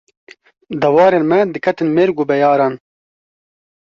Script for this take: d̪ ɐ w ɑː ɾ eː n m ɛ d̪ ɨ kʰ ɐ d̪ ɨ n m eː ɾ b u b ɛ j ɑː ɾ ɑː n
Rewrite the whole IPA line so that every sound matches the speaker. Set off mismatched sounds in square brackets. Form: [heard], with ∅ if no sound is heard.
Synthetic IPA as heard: d̪ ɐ w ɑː ɾ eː n m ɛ d̪ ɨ kʰ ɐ [t̪] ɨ n m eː ɾ [ɡ] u b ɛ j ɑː ɾ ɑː n